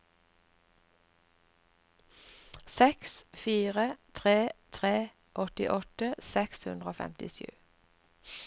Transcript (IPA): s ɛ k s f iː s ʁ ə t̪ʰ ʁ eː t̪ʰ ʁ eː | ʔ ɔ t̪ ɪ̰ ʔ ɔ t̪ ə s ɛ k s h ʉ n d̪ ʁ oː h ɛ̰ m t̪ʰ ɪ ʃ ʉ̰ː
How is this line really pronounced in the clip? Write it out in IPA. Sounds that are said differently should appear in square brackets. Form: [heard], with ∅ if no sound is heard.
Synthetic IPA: s ɛ k s f iː [∅] ʁ ə t̪ʰ ʁ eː t̪ʰ ʁ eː | ʔ ɔ t̪ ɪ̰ ʔ ɔ t̪ ə s ɛ k s h ʉ n d̪ ʁ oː [f] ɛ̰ m [t̪] ɪ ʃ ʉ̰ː